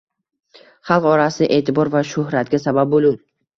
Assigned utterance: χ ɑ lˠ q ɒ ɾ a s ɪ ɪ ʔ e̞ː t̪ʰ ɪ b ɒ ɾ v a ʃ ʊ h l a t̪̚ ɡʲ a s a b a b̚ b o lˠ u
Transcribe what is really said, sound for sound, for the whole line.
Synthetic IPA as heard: χ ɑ lˠ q ɒ ɾ a s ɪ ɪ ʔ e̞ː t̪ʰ ɪ b ɒ ɾ v a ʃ ʊ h ɾ a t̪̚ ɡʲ a s a b a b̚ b o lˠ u